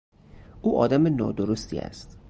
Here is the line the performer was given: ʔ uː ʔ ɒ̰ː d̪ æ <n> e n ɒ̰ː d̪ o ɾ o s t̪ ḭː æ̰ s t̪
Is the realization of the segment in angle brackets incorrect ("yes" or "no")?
yes